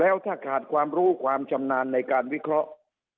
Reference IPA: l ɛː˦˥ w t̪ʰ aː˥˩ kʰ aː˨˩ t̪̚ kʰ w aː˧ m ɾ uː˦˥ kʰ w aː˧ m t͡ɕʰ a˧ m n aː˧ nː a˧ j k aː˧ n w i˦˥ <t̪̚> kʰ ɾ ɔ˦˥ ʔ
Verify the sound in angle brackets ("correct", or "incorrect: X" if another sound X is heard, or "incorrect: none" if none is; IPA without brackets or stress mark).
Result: incorrect: none